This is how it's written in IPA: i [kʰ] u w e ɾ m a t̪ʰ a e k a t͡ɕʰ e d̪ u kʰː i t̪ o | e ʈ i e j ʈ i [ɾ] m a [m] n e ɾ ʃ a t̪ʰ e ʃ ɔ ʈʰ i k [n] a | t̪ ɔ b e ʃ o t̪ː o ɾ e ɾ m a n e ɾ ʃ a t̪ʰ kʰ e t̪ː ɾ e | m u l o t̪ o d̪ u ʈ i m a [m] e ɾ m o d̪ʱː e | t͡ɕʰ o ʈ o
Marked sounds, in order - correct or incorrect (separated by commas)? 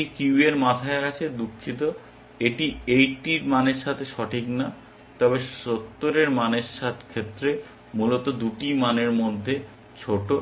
incorrect, correct, incorrect, correct, incorrect